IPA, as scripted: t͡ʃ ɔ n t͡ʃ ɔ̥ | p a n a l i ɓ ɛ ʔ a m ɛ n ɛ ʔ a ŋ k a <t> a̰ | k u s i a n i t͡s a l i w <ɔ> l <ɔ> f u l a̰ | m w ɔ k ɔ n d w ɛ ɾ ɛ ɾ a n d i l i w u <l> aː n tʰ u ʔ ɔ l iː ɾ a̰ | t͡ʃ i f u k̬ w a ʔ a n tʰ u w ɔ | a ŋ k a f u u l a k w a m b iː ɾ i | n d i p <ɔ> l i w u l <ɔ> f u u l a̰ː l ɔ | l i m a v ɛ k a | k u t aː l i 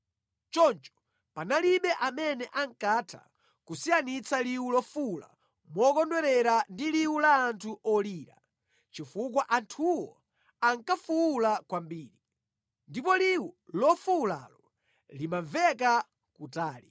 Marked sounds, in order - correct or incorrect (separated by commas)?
incorrect, incorrect, correct, correct, correct, correct